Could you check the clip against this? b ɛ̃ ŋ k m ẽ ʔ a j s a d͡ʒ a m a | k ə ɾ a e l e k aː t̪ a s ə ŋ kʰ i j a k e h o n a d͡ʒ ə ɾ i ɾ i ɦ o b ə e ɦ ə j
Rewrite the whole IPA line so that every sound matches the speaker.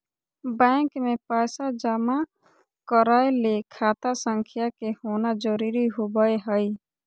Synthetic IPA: b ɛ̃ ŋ k m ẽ p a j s a d͡ʒ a m a | k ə ɾ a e l e kʰ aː t̪ a s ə ŋ kʰ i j a k e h o n a d͡ʒ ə ɾ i ɾ i ɦ o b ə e ɦ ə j